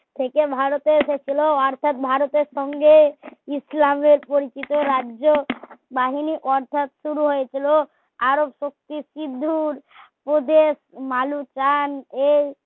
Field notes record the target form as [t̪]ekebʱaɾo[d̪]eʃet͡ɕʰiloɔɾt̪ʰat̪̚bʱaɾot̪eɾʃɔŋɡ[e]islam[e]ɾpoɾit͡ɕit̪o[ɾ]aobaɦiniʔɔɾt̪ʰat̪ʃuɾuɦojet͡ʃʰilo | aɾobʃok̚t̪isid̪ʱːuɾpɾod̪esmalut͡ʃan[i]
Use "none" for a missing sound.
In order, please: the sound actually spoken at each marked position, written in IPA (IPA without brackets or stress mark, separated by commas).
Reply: t̪ʰ, t̪, e, e, ɾ, e